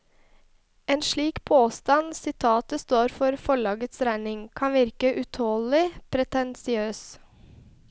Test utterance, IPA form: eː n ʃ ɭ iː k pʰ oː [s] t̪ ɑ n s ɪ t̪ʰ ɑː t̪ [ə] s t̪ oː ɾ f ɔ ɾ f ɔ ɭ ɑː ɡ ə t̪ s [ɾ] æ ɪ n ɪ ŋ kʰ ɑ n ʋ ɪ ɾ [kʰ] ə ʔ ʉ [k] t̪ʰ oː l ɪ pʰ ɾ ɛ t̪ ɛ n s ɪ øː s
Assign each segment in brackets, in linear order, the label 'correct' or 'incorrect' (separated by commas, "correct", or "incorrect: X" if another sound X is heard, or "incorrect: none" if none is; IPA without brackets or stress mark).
correct, correct, correct, incorrect: k, incorrect: none